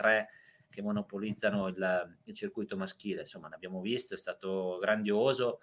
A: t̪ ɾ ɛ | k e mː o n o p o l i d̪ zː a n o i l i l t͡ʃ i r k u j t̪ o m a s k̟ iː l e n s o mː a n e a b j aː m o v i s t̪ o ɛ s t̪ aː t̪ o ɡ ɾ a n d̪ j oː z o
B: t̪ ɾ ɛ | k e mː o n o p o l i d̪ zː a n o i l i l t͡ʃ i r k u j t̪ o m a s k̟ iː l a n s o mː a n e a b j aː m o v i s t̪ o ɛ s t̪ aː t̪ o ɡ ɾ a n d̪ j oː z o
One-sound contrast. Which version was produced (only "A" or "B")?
A